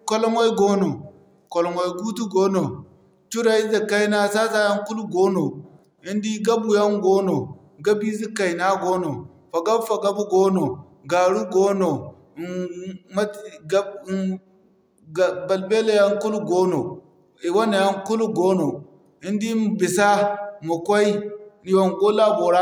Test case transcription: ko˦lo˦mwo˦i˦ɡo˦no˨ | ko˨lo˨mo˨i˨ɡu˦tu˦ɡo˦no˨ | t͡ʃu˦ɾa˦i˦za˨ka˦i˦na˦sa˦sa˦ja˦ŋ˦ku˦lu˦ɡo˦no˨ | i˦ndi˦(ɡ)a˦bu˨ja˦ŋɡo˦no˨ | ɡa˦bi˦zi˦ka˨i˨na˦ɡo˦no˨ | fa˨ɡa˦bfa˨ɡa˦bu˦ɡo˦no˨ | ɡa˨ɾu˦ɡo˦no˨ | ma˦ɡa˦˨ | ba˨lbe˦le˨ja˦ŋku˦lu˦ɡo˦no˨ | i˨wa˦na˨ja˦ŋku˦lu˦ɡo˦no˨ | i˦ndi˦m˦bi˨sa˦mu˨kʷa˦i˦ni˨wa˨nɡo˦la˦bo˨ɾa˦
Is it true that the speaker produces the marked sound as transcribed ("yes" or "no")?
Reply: yes